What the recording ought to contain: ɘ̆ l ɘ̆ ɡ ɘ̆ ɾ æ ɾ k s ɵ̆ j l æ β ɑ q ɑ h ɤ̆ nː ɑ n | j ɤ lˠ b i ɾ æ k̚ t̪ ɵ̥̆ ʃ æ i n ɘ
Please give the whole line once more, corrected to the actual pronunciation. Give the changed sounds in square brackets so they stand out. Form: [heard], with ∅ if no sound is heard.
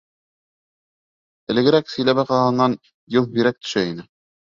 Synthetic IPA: ɘ̆ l ɘ̆ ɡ ɘ̆ ɾ æ [∅] k s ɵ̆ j l æ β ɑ q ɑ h ɤ̆ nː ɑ n | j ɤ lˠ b i ɾ æ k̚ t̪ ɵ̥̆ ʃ æ i n ɘ